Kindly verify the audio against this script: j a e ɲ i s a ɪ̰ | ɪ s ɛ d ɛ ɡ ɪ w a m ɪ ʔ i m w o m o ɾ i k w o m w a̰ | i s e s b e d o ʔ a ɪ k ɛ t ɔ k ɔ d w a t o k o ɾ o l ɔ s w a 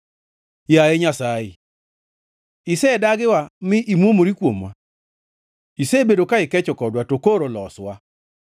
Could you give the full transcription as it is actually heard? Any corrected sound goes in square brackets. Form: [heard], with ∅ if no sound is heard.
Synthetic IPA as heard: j a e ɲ [a] s a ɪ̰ | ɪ s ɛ d [a] ɡ ɪ w a m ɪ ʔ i m w o m o ɾ i k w o m w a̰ | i s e [∅] b e d o [k] a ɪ k ɛ [t͡ʃ] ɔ k ɔ d w a t o k o ɾ o l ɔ s w a

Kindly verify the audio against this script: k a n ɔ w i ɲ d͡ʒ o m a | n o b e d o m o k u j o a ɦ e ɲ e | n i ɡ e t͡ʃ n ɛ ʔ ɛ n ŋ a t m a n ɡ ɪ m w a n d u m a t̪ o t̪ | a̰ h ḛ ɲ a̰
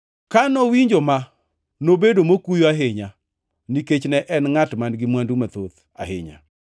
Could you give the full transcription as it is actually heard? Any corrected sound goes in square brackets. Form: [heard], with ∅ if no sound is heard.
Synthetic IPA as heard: k a n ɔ w i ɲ d͡ʒ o m a | n o b e d o m o k u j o a ɦ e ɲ [a] | n i [k] e t͡ʃ n ɛ ʔ ɛ n ŋ a t m a n ɡ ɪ m w a n d u m a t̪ o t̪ | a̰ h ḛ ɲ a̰

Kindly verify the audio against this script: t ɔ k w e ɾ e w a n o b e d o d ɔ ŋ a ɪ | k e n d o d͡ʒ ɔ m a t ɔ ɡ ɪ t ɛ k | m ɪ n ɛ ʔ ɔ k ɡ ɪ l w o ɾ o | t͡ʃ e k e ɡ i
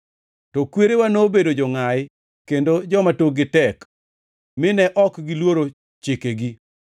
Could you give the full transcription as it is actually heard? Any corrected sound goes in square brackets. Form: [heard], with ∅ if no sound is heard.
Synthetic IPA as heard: t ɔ k w e ɾ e w a n o b e d o [d͡ʒ] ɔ ŋ a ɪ | k e n d o d͡ʒ ɔ m a t [o] ɡ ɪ t ɛ k | m ɪ n ɛ ʔ ɔ k ɡ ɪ l w o ɾ o | t͡ʃ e k e ɡ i

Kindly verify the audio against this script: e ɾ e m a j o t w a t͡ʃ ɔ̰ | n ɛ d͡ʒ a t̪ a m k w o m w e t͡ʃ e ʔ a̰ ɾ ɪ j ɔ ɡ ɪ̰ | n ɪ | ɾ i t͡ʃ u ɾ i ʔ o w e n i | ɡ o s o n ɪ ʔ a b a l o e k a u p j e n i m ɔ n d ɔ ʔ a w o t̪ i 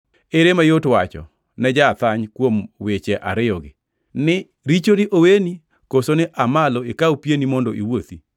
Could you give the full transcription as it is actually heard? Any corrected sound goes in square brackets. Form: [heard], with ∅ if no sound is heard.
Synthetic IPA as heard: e ɾ e m a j o t w a t͡ʃ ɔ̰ | n ɛ d͡ʒ a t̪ a [ɲ] k w o m w e t͡ʃ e ʔ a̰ ɾ ɪ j ɔ ɡ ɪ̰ | n ɪ | ɾ i t͡ʃ [o] ɾ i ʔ o w e n i | [k] o s o n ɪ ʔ a [m] a l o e k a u p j e n i m ɔ n d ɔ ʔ [i] w o t̪ i

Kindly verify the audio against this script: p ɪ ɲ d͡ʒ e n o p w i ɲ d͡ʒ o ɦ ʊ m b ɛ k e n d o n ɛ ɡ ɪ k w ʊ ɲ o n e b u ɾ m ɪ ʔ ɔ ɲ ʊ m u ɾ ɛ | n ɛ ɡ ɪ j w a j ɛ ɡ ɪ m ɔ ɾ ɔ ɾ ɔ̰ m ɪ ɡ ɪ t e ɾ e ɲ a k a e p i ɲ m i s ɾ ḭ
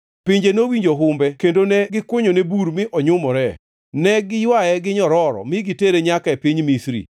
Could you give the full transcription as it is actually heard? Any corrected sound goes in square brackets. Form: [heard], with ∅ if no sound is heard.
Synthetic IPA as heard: p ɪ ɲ d͡ʒ e n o [∅] w i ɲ d͡ʒ o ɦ ʊ m b ɛ k e n d o n ɛ ɡ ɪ k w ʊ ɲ o n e b u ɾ m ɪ ʔ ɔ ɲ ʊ m [ɔ] ɾ ɛ | n ɛ ɡ ɪ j w a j ɛ ɡ ɪ [ɲ] ɔ ɾ ɔ ɾ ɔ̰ m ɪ ɡ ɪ t e ɾ e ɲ a k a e p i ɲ m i s ɾ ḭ

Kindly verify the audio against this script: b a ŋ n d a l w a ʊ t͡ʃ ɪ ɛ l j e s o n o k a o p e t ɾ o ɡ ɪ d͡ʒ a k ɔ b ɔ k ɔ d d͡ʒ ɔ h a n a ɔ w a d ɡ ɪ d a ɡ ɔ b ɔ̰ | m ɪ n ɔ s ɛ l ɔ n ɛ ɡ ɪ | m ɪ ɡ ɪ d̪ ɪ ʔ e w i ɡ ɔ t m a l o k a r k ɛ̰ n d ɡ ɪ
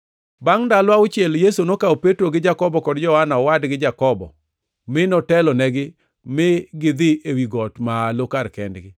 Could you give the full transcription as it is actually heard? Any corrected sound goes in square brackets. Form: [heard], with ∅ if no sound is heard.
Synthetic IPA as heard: b a ŋ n d a l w a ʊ t͡ʃ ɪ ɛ l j e s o n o k a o p e t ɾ o ɡ ɪ d͡ʒ a k ɔ b ɔ k ɔ d d͡ʒ ɔ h a n a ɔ w a d ɡ ɪ [d͡ʒ] a [k] ɔ b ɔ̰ | m ɪ n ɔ [t] ɛ l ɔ n ɛ ɡ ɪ | m ɪ ɡ ɪ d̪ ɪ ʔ e w i ɡ ɔ t m a l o k a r k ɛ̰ n d ɡ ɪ

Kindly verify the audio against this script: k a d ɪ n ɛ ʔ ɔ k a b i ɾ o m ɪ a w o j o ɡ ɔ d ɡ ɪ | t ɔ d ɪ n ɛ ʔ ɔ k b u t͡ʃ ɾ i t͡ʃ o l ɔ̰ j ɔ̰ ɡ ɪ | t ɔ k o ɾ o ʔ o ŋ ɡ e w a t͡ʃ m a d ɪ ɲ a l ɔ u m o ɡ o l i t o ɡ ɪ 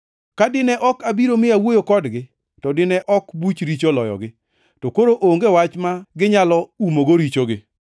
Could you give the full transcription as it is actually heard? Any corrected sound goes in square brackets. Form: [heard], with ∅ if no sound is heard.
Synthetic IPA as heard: k a d ɪ n ɛ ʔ ɔ k a b i ɾ o m ɪ a w o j o [k] ɔ d ɡ ɪ | t ɔ d ɪ n ɛ ʔ ɔ k b u t͡ʃ ɾ i t͡ʃ o l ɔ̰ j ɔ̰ ɡ ɪ | t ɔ k o ɾ o ʔ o ŋ ɡ e w a t͡ʃ m a [ɡ] ɪ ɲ a l ɔ u m o ɡ o [ɾ] i [t͡ʃ] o ɡ ɪ

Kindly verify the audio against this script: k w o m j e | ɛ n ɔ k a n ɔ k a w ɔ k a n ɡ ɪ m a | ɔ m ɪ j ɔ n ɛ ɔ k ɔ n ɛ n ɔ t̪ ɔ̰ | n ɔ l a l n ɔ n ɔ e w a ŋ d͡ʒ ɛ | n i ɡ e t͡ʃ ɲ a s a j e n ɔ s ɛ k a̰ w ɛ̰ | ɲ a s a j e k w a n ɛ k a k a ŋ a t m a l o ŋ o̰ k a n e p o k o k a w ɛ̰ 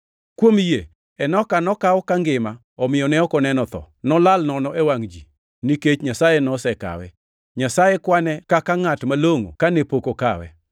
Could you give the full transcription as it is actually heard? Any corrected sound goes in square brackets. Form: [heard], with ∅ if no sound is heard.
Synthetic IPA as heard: k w o m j e | ɛ n ɔ k a n ɔ k a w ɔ k a [ŋ] ɡ ɪ m a | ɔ m ɪ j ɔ n ɛ ɔ k ɔ n ɛ n ɔ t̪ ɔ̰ | n ɔ l a l n ɔ n ɔ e w a ŋ d͡ʒ [i] | n i [k] e t͡ʃ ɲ a s a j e n ɔ s ɛ k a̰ w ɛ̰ | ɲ a s a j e k w a n ɛ k a k a ŋ a t m a l o ŋ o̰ k a n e p o k o k a w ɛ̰

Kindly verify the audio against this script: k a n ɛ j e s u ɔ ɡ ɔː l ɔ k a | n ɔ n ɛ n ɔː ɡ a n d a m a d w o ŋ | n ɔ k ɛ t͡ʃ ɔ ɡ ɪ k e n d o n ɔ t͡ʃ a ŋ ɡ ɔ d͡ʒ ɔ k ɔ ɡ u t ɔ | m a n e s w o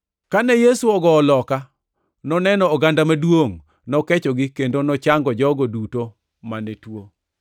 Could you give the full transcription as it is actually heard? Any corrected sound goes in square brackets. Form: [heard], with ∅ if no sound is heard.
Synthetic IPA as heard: k a n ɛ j e s u ɔ ɡ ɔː l ɔ k a | n ɔ n ɛ n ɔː ɡ a n d a m a d w o ŋ | n ɔ k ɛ t͡ʃ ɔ ɡ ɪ k e n d o n ɔ t͡ʃ a ŋ ɡ ɔ d͡ʒ ɔ [ɡ] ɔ [d] u t [o] | m a n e [t] w o

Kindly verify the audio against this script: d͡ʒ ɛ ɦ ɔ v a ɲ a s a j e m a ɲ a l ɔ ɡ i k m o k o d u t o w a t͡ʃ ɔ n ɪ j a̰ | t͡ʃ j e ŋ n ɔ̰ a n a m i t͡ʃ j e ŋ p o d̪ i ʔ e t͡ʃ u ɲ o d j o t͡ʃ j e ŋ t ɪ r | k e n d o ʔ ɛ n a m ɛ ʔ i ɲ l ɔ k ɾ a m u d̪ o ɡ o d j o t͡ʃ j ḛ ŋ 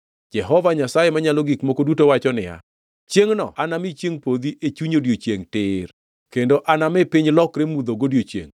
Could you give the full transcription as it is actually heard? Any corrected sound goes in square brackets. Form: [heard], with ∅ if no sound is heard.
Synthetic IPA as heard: d͡ʒ ɛ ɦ ɔ v a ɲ a s a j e m a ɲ a l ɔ ɡ i k m o k o d u t o w a t͡ʃ ɔ n ɪ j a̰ | t͡ʃ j e ŋ n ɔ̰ a n a m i t͡ʃ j e ŋ p o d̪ i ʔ e t͡ʃ u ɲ o d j o t͡ʃ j e ŋ t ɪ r | k e n d o ʔ [a] n a m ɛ [p] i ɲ l ɔ k ɾ [e] m u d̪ o ɡ o d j o t͡ʃ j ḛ ŋ

